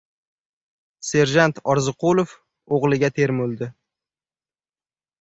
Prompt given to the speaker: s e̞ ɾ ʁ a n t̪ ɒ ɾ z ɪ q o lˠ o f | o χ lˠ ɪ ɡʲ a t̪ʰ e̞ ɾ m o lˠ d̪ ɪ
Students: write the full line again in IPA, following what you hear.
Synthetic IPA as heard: s e̞ ɾ ʒ a n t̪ ɒ ɾ z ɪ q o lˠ o f | o ʁ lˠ ɪ ɡʲ a t̪ʰ e̞ ɾ m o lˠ d̪ ɪ